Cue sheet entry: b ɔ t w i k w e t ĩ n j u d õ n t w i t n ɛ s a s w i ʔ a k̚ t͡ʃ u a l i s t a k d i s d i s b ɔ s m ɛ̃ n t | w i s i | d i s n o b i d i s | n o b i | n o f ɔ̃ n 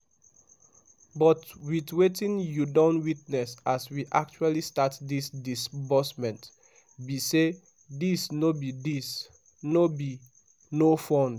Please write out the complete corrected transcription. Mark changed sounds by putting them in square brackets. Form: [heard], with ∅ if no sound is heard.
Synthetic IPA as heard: b ɔ t w i [t] w e t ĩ n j u d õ n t w i t n ɛ s a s w i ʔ a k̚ t͡ʃ u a l i s t a [t] d i s d i s b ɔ s m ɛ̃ n t | [b] i s [e] | d i s n o b i d i s | n o b i | n o f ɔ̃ n